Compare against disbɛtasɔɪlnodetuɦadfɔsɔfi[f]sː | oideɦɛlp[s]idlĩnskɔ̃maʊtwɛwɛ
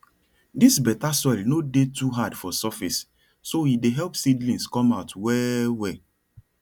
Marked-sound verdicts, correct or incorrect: incorrect, correct

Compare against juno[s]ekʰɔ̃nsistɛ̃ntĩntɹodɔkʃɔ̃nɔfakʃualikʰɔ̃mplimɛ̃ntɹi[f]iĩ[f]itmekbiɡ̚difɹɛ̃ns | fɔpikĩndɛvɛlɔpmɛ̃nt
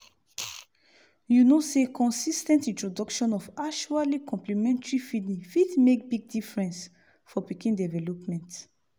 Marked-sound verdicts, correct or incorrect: correct, correct, correct

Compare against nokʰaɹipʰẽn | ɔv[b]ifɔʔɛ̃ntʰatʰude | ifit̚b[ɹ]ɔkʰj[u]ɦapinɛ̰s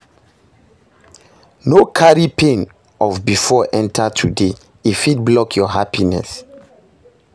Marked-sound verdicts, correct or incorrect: correct, incorrect, incorrect

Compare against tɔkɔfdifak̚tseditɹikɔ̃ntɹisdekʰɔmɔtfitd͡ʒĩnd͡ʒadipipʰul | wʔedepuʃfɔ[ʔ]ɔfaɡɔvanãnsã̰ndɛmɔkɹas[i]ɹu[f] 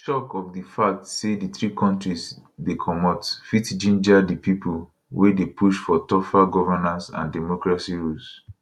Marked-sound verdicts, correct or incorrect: incorrect, correct, incorrect

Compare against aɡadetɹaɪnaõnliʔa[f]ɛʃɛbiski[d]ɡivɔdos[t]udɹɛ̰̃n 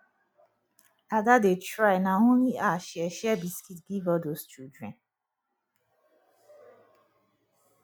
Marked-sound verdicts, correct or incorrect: incorrect, incorrect, incorrect

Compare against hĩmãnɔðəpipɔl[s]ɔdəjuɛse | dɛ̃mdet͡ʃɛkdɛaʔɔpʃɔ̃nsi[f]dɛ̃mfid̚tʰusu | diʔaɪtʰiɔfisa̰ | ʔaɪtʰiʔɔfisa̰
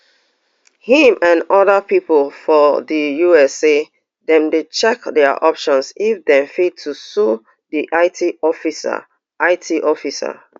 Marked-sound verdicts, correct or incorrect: incorrect, correct

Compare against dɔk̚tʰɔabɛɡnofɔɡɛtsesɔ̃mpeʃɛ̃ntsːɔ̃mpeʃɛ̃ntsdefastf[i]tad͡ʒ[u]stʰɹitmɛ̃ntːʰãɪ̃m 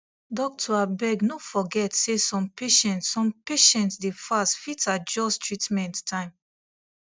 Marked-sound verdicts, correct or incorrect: correct, incorrect

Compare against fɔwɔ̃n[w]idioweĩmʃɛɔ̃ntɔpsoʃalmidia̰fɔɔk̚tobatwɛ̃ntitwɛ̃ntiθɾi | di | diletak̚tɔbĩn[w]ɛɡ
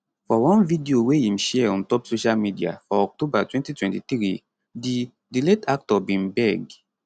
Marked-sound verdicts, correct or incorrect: incorrect, incorrect

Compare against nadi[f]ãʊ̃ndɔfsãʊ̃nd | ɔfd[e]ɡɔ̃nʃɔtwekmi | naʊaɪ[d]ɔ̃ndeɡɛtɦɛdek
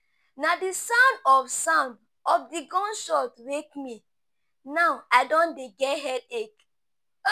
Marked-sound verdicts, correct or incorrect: incorrect, incorrect, correct

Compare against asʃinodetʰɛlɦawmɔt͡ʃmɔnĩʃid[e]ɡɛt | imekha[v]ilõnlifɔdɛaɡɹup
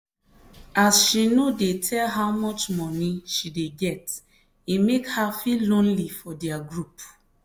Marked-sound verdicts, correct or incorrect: correct, incorrect

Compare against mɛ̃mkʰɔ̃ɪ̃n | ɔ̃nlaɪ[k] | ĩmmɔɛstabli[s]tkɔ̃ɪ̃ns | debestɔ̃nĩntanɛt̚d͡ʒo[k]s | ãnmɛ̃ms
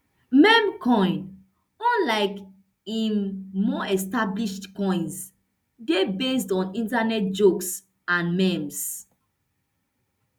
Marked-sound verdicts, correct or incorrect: correct, incorrect, correct

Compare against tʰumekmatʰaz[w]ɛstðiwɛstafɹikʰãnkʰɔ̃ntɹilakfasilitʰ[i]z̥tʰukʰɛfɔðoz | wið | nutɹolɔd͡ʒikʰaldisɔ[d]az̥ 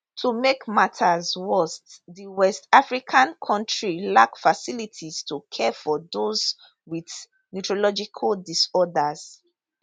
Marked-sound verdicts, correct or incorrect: correct, correct, correct

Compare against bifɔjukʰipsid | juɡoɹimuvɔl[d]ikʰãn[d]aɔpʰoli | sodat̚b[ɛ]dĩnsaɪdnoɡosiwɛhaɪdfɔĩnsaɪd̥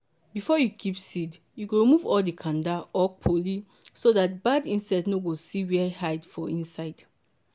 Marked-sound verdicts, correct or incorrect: correct, correct, incorrect

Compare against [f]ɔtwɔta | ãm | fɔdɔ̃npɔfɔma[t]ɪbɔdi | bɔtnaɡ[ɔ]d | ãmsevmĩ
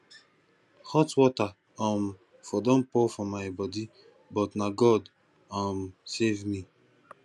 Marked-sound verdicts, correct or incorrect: incorrect, incorrect, correct

